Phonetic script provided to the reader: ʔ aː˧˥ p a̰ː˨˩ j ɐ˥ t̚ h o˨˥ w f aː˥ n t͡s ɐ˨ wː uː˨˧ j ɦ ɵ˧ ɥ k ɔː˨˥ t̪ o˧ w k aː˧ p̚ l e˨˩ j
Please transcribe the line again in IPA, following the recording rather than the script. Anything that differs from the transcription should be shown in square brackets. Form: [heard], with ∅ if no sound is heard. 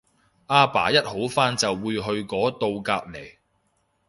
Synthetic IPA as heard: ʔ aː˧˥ p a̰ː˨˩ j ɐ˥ t̚ h o˨˥ w f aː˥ n t͡s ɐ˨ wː uː˨˧ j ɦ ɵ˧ ɥ k ɔː˨˥ t̪ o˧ w k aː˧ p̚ l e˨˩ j